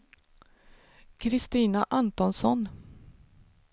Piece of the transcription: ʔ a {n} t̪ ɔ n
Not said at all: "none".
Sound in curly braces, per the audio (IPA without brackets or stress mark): n